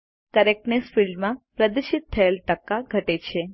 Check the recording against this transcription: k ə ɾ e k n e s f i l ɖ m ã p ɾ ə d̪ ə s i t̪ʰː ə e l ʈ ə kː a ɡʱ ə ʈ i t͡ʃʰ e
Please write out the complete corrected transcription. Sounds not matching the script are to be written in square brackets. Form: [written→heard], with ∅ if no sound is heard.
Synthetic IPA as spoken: k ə ɾ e k n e s f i l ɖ m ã p ɾ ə d̪ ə [s→ʃ] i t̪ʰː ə e l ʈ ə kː a ɡʱ ə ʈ [i→e] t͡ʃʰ e

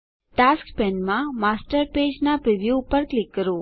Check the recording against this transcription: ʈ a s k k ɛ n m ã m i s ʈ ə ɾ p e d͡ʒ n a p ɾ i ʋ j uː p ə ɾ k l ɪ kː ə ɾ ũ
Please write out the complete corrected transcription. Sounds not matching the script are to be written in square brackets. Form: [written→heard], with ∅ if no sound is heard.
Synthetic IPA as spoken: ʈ a s k [k→p] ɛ n m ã m [i→a] s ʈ ə ɾ p e d͡ʒ n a p ɾ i ʋ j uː p ə ɾ k l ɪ kː ə ɾ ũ

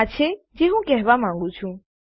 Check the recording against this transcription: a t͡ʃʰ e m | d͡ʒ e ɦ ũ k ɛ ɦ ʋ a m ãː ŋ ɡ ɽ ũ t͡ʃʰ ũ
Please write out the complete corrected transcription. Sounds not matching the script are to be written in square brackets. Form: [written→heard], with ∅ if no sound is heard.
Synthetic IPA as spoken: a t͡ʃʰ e [m→∅] | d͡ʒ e ɦ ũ k ɛ ɦ ʋ a m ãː ŋ ɡ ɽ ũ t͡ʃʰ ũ

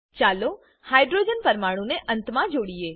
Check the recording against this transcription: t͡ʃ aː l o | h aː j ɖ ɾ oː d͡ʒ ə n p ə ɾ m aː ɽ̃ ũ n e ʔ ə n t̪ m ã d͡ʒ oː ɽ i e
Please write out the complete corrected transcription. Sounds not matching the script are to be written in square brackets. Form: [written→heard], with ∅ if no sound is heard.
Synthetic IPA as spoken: t͡ʃ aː l o | h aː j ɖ ɾ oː d͡ʒ ə n p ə ɾ m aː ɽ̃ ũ n e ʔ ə n t̪ m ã d͡ʒ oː ɽ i e

